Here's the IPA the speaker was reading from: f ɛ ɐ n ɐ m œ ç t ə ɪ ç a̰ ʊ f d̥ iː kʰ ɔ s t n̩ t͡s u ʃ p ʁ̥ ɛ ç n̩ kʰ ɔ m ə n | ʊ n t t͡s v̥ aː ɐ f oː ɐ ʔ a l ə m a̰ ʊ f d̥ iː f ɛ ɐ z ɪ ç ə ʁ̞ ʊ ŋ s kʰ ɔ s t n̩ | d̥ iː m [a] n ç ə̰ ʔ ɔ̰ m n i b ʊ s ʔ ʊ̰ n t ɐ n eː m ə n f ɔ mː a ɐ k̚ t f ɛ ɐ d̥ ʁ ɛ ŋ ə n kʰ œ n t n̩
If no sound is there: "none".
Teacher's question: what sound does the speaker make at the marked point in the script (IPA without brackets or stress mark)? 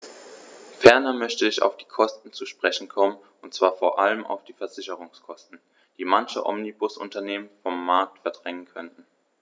a